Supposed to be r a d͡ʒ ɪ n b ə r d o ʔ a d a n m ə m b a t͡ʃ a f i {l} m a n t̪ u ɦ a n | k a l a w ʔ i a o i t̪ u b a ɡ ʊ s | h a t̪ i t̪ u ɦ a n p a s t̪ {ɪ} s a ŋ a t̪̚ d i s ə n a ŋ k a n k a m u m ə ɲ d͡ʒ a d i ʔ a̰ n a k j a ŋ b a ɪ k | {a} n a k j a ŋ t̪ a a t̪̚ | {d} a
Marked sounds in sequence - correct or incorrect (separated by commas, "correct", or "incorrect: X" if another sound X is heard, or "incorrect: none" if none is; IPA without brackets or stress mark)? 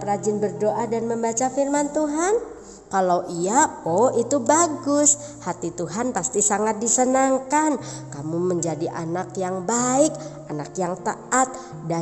incorrect: r, incorrect: i, correct, correct